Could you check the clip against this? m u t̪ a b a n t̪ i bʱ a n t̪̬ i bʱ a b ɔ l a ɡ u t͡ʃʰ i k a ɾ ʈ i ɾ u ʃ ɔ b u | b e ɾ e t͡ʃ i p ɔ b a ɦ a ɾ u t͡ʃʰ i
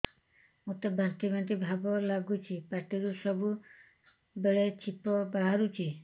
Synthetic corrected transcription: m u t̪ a b a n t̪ i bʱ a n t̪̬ i bʱ a b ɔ l a ɡ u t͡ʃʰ i p a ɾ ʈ i ɾ u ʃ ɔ b u | b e ɭ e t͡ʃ i p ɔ b a ɦ a ɾ u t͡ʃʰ i